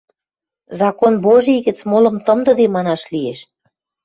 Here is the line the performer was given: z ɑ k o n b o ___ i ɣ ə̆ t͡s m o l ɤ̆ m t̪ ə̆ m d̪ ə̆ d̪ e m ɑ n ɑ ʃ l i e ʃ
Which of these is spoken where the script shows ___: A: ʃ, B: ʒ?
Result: B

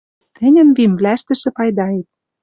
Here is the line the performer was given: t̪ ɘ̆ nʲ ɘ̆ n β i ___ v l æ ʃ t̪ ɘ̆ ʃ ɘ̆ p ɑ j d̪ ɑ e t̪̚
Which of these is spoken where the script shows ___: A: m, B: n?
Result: A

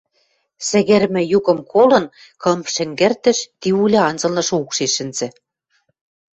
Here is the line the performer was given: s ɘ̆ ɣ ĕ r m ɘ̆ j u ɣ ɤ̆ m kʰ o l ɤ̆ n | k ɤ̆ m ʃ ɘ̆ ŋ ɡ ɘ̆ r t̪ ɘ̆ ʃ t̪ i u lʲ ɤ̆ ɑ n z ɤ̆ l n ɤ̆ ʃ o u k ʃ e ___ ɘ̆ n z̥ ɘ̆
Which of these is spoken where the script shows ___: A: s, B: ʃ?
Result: B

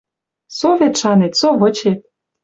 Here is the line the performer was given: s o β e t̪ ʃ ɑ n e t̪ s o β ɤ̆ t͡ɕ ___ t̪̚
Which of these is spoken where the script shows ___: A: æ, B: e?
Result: B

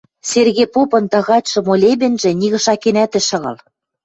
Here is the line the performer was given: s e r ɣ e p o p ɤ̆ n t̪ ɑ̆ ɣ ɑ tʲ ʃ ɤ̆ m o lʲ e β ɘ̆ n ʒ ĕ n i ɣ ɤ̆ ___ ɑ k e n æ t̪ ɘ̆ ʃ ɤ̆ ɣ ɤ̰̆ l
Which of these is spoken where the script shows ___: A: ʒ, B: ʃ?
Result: B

